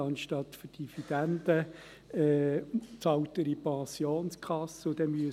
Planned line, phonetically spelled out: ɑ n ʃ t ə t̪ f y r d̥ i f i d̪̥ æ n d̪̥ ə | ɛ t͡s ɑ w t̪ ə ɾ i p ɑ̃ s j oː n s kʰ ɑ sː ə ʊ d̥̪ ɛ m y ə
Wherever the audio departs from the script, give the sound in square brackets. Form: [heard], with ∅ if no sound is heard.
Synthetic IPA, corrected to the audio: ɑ n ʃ t [ɑ] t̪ f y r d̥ i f i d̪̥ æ n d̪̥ ə | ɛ t͡s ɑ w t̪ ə ɾ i p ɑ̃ s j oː n s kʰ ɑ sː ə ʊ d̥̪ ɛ m y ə

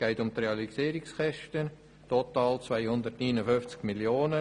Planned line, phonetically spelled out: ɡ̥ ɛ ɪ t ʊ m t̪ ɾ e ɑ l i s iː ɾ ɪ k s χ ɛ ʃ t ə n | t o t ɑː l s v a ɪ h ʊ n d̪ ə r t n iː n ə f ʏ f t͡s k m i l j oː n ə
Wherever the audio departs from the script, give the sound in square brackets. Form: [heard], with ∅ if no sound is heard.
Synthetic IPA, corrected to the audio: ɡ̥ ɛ ɪ t ʊ m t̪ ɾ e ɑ l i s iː ɾ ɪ k s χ ɛ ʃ t ə n | t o t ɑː l [t͡s] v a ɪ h ʊ n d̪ ə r t n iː n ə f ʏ f t͡s k m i l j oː n ə

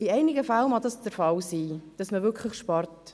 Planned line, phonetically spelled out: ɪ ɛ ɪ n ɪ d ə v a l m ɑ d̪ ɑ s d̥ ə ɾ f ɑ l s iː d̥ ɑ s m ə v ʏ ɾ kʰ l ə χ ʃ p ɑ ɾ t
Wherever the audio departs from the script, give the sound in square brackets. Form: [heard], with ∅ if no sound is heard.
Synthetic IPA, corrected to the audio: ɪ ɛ ɪ n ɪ [ɡ] ə [f] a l m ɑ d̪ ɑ s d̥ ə ɾ f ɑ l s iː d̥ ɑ s m ə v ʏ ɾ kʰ l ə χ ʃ p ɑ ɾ t

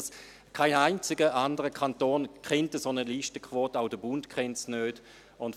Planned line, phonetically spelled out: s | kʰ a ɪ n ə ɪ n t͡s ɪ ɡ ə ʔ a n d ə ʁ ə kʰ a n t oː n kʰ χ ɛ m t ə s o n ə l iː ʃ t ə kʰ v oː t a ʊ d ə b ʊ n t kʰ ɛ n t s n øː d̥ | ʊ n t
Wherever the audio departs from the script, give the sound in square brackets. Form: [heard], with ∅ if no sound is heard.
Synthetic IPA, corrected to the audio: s | kʰ a ɪ n [a] ɪ n t͡s ɪ ɡ ə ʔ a n d ə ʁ ə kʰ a n t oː n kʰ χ ɛ [n] t ə s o n ə l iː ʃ t ə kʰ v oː t a ʊ d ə b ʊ n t kʰ ɛ n t s n øː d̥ | ʊ n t

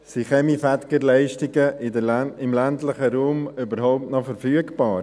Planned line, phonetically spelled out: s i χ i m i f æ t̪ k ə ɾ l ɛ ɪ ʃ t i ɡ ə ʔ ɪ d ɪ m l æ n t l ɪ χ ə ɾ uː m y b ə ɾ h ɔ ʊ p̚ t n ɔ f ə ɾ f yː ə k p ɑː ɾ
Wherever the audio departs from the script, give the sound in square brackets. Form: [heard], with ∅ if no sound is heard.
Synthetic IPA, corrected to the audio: s i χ [ɛ] m i f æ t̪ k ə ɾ l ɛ ɪ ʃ t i ɡ ə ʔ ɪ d ɪ m l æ n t l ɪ χ ə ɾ uː m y b ə ɾ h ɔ ʊ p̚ t n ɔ f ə ɾ f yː ə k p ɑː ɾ

